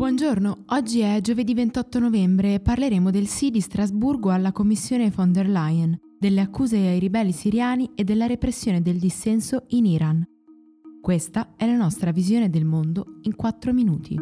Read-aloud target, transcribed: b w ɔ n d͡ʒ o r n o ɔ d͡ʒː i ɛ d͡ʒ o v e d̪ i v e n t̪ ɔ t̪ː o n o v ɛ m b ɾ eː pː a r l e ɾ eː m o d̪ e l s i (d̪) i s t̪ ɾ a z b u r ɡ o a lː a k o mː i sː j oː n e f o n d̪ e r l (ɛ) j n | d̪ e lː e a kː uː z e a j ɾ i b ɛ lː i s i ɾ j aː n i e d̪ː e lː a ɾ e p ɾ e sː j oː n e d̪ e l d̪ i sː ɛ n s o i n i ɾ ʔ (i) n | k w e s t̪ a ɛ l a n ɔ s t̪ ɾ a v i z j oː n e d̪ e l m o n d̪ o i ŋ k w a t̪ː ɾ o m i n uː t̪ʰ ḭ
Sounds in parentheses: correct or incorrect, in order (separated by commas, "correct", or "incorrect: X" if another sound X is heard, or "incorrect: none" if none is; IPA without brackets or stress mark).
correct, incorrect: a, incorrect: a